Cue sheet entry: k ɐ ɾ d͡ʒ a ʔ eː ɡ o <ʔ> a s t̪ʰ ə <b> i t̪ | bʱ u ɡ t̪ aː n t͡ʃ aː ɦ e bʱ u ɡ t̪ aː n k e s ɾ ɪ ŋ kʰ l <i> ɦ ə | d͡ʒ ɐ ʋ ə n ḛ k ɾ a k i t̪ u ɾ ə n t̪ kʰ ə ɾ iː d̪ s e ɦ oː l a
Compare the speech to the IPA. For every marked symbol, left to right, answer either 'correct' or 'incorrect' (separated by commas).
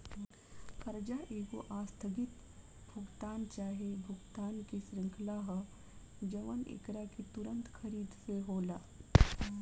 correct, incorrect, incorrect